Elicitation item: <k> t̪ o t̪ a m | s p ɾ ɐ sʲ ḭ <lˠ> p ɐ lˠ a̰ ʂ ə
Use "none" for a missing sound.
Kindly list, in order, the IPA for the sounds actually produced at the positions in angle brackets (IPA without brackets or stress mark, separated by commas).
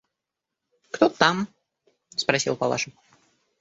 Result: k, lˠ